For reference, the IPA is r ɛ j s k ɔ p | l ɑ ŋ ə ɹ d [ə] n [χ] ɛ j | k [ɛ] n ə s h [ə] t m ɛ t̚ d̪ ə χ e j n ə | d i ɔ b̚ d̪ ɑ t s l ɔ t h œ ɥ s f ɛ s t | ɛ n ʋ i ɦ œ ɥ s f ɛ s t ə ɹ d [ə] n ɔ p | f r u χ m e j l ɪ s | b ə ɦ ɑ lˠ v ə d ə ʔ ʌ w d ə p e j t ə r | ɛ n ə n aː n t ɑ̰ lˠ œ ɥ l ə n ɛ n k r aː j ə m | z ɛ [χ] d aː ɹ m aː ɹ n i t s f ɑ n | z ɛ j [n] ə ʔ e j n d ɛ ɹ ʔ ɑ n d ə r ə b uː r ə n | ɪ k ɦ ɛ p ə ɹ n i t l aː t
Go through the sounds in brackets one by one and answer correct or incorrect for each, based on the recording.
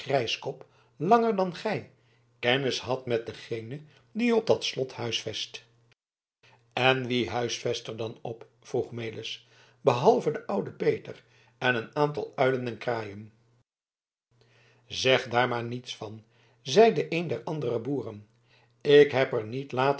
incorrect: ɑ, correct, correct, incorrect: ɑ, incorrect: ɑ, correct, incorrect: d

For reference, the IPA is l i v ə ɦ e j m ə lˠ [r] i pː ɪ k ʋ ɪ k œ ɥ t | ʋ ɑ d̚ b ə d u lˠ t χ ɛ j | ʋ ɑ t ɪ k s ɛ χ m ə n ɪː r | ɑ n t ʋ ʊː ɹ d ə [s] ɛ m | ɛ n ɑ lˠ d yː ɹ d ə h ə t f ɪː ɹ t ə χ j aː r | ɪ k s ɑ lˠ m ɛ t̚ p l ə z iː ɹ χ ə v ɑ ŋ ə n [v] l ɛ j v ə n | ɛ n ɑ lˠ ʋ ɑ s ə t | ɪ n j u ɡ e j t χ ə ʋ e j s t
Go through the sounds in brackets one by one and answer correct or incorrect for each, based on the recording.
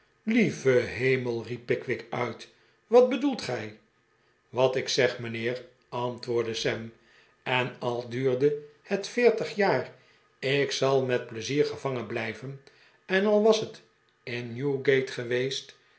correct, correct, incorrect: b

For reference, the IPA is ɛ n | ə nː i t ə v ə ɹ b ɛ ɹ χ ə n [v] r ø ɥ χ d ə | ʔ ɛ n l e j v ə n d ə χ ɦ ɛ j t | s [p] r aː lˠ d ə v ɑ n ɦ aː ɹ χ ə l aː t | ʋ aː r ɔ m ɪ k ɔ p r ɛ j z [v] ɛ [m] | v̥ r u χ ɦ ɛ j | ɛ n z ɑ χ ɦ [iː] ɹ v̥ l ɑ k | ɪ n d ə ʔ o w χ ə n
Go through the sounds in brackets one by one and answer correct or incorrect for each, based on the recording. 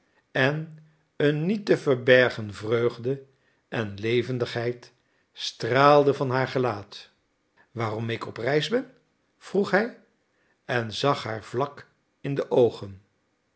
correct, incorrect: t, incorrect: b, incorrect: n, incorrect: aː

